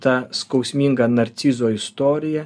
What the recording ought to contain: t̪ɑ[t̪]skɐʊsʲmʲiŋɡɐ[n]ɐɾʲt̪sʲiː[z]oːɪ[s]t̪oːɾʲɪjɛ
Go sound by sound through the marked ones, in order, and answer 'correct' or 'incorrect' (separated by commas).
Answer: incorrect, correct, correct, correct